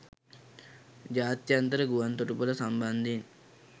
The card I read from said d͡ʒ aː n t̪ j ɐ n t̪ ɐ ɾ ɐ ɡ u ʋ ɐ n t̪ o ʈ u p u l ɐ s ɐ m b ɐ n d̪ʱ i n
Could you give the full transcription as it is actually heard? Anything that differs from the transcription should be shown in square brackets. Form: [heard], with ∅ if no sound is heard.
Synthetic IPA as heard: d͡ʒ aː [∅] t̪ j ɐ n t̪ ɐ ɾ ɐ ɡ u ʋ ɐ n t̪ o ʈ u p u l ɐ s ɐ m b ɐ n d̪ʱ i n